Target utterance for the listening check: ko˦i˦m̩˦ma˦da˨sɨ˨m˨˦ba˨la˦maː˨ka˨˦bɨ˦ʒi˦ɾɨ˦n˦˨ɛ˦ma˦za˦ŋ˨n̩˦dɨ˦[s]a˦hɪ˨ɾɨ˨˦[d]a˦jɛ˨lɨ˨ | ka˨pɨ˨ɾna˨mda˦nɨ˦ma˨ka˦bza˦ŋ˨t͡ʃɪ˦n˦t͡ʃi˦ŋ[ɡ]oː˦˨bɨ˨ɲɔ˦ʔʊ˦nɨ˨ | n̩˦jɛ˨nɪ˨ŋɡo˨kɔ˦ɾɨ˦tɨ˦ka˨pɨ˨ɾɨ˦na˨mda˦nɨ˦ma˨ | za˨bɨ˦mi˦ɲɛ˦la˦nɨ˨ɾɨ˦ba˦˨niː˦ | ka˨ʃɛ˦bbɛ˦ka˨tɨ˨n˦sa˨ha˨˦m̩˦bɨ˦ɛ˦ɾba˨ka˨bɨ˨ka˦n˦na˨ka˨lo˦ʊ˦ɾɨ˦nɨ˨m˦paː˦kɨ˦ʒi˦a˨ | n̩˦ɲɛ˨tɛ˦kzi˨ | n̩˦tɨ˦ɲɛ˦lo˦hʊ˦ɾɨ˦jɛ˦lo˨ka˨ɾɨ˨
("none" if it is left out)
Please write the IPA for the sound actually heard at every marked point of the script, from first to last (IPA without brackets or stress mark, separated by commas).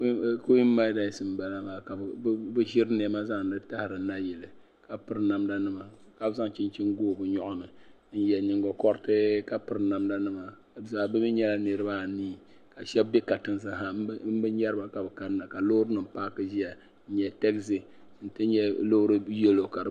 t, n, ɡ